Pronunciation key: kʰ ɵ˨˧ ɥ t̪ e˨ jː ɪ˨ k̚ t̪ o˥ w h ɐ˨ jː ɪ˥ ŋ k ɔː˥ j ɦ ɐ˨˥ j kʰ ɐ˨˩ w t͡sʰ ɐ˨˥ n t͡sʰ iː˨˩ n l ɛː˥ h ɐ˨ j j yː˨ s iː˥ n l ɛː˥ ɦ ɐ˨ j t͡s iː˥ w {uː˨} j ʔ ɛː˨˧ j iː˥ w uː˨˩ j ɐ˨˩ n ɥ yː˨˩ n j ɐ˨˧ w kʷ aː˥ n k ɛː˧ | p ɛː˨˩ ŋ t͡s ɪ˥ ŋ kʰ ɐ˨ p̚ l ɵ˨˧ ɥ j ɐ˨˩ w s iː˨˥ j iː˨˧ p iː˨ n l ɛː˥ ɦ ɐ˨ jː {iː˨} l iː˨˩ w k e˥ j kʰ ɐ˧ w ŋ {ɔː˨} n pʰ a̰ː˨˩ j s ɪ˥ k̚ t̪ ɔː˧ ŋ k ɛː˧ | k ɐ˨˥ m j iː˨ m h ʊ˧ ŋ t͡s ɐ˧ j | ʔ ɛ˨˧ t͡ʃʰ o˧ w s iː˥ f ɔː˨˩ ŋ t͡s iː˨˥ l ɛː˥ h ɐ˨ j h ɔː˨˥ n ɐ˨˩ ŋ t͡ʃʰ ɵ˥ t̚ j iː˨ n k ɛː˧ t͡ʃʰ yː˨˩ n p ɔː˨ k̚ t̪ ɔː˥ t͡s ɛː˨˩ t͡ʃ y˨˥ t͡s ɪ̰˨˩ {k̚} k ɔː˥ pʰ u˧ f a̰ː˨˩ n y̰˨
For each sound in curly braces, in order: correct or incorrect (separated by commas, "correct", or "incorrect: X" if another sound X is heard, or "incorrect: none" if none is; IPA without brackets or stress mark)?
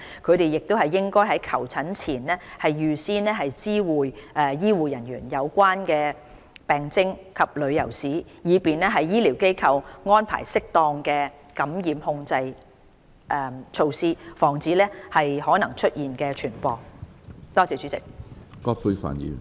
correct, incorrect: iː˥, incorrect: ɔː˥, correct